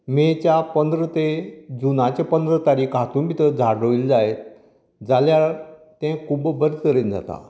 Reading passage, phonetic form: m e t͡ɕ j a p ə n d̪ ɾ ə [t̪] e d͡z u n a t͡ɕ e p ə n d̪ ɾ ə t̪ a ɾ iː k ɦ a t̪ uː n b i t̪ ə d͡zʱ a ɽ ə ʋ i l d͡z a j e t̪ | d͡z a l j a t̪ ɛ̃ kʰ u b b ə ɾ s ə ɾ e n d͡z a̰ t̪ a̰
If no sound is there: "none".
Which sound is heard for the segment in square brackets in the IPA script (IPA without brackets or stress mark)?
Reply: t̪